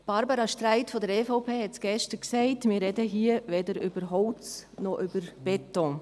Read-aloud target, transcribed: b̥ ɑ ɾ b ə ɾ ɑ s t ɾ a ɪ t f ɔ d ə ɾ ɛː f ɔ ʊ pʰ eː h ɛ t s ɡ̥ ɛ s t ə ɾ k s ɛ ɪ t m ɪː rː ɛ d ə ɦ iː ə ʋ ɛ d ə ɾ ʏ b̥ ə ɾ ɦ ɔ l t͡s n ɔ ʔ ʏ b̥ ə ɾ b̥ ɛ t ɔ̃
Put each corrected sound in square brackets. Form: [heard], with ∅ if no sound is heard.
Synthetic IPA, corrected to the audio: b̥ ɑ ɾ b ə ɾ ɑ [ʃ] t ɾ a ɪ t f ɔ d ə ɾ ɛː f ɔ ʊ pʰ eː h ɛ t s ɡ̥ ɛ [ʃ] t ə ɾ k s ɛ ɪ t m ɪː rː ɛ d ə ɦ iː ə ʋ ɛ d ə ɾ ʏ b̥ ə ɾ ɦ ɔ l t͡s n ɔ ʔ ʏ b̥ ə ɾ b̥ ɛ t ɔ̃